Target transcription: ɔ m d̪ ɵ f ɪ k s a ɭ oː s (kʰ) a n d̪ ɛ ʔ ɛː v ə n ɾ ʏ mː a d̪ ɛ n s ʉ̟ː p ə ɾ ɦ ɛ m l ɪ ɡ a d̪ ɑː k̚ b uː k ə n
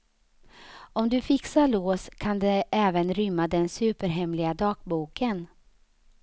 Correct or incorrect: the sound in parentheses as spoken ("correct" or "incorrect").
correct